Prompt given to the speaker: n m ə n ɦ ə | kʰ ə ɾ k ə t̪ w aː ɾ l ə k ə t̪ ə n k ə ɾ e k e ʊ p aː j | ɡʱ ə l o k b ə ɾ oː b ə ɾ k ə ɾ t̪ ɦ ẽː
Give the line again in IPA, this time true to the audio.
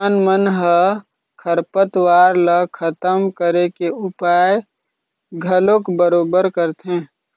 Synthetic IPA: n m ə n ɦ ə | kʰ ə ɾ p ə t̪ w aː ɾ l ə kʰ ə t̪ ə m k ə ɾ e k e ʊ p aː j | ɡʱ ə l o k b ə ɾ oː b ə ɾ k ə ɾ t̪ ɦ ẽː

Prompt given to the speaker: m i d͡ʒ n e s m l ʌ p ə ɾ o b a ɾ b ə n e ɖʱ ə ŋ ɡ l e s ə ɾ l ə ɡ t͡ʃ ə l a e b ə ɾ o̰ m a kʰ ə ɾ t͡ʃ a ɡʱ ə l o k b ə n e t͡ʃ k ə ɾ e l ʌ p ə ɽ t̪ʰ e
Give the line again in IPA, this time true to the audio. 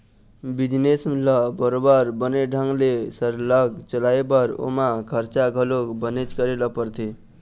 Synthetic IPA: b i d͡ʒ n e s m l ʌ b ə ɾ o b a ɾ b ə n e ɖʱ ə ŋ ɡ l e s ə ɾ l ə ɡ t͡ʃ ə l a e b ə ɾ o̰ m a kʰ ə ɾ t͡ʃ a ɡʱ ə l o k b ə n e t͡ʃ k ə ɾ e l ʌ p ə ɾ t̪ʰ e

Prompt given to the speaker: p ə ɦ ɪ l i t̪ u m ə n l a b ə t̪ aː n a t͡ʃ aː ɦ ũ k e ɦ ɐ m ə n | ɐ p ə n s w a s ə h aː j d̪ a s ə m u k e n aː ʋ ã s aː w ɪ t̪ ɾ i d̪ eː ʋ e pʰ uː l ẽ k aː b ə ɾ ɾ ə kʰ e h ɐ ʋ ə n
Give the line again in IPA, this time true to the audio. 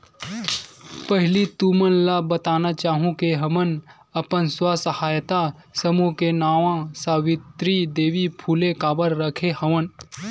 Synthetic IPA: p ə ɦ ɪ l i t̪ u m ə n l a b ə t̪ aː n a t͡ʃ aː ɦ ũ k e ɦ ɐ m ə n | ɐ p ə n s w a s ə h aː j t̪ a s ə m u k e n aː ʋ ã s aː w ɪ t̪ ɾ i d̪ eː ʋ i pʰ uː l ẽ k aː b ə ɾ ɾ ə kʰ e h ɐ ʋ ə n

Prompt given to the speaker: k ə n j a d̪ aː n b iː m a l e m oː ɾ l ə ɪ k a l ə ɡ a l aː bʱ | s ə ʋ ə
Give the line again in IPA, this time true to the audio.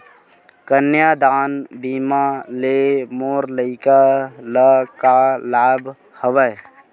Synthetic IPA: k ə n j a d̪ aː n b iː m a l e m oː ɾ l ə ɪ k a l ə k a l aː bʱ | h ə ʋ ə

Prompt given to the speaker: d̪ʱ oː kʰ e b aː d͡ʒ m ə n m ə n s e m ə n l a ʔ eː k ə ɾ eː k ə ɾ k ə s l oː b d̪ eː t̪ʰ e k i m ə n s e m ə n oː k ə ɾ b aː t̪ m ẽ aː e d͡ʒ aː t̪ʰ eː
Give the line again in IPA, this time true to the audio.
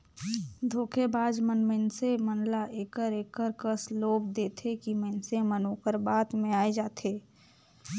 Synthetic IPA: d̪ʱ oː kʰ e b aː d͡ʒ m ə n m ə n s e m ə n l a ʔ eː k ə ɾ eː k ə ɾ k ə s l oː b d̪ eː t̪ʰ e k i m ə n s e m ə n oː k ə ɾ b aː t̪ m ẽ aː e d͡ʒ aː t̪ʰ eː

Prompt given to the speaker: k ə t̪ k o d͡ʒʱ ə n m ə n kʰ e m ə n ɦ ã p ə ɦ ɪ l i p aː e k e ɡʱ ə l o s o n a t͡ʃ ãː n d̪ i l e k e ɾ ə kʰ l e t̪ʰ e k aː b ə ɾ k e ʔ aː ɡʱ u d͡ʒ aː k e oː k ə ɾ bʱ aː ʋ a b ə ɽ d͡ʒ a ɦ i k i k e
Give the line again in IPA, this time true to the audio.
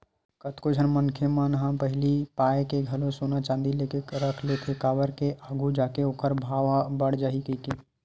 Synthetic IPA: k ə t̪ k o d͡ʒʱ ə n m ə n kʰ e m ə n ɦ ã p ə ɦ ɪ l i p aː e k e ɡʱ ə l o s o n a t͡ʃ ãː n d̪ i l e k e ɾ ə kʰ l e t̪ʰ e k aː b ə ɾ k e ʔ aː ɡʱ u d͡ʒ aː k e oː k ə ɾ bʱ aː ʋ a b ə ɽ d͡ʒ a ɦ i k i k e

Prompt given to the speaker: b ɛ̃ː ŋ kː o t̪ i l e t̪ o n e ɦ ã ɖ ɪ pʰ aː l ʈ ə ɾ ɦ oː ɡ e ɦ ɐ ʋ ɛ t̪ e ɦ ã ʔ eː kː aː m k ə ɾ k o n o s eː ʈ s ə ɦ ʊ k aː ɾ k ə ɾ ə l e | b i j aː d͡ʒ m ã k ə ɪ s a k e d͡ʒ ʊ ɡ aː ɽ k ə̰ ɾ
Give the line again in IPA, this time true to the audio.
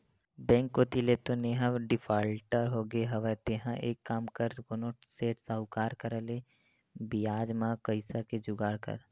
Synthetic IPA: b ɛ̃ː ŋ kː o t̪ i l e t̪ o n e ɦ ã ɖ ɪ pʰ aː l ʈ ə ɾ ɦ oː ɡ e ɦ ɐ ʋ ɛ t̪ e ɦ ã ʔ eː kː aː m k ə ɾ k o n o s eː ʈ s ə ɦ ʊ k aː ɾ k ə ɾ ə l e | b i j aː d͡ʒ m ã k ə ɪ s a k e d͡ʒ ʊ ɡ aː ɽ k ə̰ ɾ

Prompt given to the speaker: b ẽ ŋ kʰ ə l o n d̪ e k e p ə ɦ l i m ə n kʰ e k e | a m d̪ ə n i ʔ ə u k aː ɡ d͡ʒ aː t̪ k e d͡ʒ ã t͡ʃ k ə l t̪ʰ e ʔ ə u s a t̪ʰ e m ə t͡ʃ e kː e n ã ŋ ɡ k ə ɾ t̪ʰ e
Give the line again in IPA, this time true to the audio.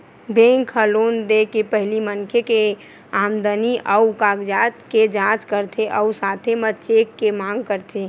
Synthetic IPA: b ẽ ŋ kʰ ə l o n d̪ e k e p ə ɦ l i m ə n kʰ e k e | a m d̪ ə n i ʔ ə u k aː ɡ d͡ʒ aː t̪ k e d͡ʒ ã t͡ʃ k ə ɾ t̪ʰ e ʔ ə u s a t̪ʰ e m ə t͡ʃ e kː e m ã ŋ ɡ k ə ɾ t̪ʰ e

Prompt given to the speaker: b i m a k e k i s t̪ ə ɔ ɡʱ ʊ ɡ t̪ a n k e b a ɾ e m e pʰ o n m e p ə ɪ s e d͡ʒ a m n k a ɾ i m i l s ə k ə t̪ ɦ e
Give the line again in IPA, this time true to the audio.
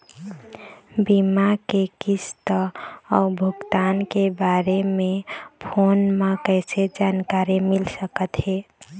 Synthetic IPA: b i m a k e k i s t̪ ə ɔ bʱ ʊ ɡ t̪ a n k e b a ɾ e m e pʰ o n m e k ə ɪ s e d͡ʒ a n k a ɾ i m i l s ə k ə t̪ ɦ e

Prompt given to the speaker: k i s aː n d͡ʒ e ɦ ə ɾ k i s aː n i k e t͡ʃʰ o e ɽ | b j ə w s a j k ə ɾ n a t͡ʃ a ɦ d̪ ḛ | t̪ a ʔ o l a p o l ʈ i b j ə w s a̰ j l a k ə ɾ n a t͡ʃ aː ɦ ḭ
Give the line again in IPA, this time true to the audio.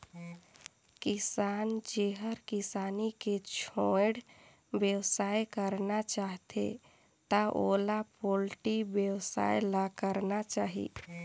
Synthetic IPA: k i s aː n d͡ʒ e ɦ ə ɾ k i s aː n i k e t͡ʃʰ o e ɽ | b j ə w s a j k ə ɾ n a t͡ʃ a ɦ t̪ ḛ | t̪ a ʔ o l a p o l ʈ i b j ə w s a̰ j l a k ə ɾ n a t͡ʃ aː ɦ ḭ

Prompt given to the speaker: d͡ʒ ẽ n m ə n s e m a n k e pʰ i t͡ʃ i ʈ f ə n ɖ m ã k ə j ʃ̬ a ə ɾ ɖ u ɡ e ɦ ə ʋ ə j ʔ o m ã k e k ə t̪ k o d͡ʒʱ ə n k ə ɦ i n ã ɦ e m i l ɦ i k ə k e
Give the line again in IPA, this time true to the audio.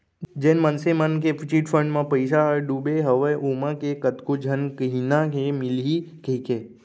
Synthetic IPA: d͡ʒ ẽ n m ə n s e m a n k e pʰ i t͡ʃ i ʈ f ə ɳ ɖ m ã p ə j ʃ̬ a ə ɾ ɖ u b e ɦ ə ʋ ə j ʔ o m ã k e k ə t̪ k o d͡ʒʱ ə n k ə ɦ i n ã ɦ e m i l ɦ i k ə k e

